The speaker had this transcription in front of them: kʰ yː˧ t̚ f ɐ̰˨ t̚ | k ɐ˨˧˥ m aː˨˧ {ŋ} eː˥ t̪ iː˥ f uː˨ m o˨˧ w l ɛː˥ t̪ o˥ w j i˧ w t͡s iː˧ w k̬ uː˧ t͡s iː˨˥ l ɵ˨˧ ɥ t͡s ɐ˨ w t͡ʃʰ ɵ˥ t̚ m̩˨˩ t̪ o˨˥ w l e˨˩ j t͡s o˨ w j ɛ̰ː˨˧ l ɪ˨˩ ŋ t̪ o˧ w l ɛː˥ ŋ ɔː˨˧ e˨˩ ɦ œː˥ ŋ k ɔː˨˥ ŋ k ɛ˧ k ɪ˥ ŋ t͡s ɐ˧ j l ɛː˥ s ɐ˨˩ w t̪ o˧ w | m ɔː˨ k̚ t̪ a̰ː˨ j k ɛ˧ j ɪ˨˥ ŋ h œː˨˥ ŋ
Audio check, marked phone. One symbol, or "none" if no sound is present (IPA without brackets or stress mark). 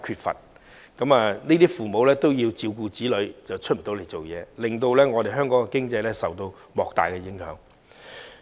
n